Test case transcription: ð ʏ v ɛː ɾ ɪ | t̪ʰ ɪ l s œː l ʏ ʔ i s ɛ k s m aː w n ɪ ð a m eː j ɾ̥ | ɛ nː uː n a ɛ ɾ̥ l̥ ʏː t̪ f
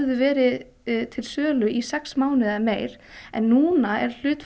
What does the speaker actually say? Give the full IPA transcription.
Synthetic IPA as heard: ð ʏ v ɛː ɾ ɪ | t̪ʰ ɪ l s œː l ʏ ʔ i s ɛ k s m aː w n ɪ ð a m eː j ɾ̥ | ɛ nː uː n a ɛ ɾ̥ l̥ ʏː t̪ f

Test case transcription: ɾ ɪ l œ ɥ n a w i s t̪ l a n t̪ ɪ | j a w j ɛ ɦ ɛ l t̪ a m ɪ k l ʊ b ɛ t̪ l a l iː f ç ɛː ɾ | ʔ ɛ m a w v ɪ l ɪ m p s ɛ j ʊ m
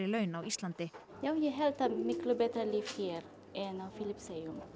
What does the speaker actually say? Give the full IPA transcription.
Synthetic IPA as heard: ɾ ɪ l œ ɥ n a w i s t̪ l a n t̪ ɪ | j a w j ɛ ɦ ɛ l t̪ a m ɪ k l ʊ b ɛ t̪ ɾ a l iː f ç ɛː ɾ | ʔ ɛ n a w f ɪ l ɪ p s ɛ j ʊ m

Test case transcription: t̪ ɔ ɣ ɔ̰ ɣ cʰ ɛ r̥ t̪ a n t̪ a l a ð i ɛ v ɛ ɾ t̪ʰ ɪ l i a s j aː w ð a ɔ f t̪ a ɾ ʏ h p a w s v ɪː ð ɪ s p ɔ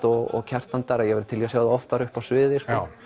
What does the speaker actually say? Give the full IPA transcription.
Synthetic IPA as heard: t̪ ɔ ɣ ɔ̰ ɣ cʰ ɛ r̥ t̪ a n t̪ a ɾ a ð j ɛ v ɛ ɾ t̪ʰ ɪ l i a s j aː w ð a ɔ f t̪ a ɾ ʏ h p a w s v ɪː ð ɪ s k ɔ

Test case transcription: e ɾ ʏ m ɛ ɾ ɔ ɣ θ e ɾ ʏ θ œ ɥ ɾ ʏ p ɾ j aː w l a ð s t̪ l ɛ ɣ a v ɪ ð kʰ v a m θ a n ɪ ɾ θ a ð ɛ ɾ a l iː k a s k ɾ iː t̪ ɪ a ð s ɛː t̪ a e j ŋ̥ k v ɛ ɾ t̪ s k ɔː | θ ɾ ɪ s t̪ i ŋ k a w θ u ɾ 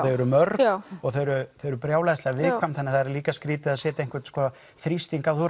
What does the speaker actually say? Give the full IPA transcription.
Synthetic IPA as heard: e ɾ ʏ m œ ɾ ɔ ɣ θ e ɾ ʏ θ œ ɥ ɾ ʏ p ɾ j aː w l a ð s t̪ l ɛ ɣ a v ɪ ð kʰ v a m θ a n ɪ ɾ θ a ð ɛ ɾ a l iː k a s k ɾ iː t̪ ɪ a ð s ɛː t̪ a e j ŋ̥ k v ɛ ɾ t̪ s k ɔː | θ ɾ i s t̪ i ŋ k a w θ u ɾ

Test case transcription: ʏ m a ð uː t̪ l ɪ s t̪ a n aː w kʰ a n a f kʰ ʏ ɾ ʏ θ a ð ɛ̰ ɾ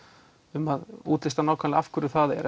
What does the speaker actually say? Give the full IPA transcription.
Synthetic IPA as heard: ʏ m a ð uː t̪ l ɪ s t̪ a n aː w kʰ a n a f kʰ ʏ ɾ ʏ θ a ð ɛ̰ ɾ

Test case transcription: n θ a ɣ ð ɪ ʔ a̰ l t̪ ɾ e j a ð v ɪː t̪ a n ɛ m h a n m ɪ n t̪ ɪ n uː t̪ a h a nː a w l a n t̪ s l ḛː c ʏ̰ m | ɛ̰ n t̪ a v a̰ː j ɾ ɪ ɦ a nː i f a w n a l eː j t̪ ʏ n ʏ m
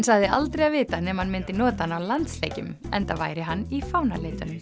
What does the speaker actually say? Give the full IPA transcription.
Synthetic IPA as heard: n s a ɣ ð ɪ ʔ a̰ l t̪ ɾ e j a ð v ɪː t̪ a n ɛ m h a n m ɪ n t̪ ɪ n ɔː t̪ a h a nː a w l a n t̪ s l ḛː c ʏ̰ m | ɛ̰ n t̪ a v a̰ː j ɾ ɪ ɦ a nː i f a w n a l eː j t̪ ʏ n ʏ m

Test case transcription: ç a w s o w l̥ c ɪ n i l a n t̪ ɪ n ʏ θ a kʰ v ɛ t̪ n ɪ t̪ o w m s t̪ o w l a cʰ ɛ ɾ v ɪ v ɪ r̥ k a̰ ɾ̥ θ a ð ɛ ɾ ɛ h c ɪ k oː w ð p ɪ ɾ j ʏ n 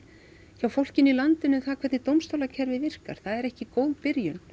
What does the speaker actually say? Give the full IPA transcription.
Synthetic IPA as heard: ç a w f o w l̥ c ɪ n i l a n t̪ ɪ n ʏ θ a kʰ v ɛ t̪ n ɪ t̪ o w m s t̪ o w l a cʰ ɛ ɾ v ɪ v ɪ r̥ k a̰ ɾ̥ θ a ð ɛ ɾ ɛ h c ɪ k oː w ð p ɪ ɾ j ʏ n

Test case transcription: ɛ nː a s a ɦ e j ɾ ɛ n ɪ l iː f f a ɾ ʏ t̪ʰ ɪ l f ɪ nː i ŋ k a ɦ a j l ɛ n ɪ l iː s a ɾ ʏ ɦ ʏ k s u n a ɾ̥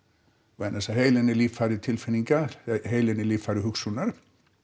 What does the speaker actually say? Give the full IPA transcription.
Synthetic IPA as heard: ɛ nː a s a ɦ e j l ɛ n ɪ l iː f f a ɾ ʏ t̪ʰ ɪ l f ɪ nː i ŋ k a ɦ e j l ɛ n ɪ l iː f a ɾ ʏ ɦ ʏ k s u n a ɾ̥

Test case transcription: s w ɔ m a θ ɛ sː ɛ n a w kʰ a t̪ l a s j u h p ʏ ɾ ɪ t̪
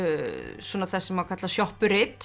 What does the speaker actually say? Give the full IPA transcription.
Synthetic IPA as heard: s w ɔ n a θ ɛ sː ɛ m a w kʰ a t̪ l a s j ɔ h p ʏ ɾ ɪ t̪

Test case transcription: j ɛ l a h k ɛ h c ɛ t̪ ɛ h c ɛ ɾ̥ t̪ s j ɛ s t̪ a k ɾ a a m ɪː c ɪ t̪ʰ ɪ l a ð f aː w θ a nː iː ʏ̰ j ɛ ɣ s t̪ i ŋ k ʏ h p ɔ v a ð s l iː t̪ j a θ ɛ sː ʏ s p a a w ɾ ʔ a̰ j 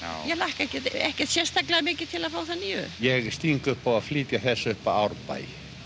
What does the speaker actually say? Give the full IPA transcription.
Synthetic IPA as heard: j ɛ l a h k ɛ h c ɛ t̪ ɛ h c ɛ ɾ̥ t̪ s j ɛ s t̪ a k l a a m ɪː c ɪ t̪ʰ ɪ l a ð f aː w θ a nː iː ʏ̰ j ɛ ɣ s t̪ i ŋ k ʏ h p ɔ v a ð f l iː t̪ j a θ ɛ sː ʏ h p a a w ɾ p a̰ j

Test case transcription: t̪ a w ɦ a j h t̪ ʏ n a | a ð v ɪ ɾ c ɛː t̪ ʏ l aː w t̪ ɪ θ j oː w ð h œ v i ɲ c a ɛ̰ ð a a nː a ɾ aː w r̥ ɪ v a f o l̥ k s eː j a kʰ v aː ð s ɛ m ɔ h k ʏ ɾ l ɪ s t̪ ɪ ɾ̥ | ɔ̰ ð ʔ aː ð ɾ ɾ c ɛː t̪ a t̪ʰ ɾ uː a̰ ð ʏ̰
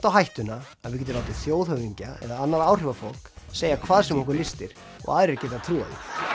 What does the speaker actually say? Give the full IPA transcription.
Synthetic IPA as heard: t̪ a w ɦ a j h t̪ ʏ n a | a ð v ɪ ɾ c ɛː t̪ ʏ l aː w t̪ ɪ θ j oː w ð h œ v i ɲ c a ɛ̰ ð a a nː a ɾ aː w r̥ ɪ v a f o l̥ k s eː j a kʰ v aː ð s ɛ m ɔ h k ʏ ɾ l ɪ s t̪ ɪ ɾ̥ | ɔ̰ ɣ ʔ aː ð ɾ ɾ c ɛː t̪ a t̪ʰ ɾ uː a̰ ð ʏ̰

